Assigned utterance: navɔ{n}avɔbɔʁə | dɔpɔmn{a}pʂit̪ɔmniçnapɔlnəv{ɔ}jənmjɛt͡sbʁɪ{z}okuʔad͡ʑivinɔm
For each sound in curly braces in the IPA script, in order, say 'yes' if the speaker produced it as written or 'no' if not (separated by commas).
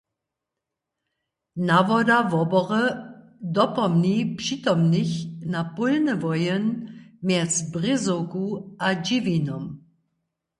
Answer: no, no, yes, yes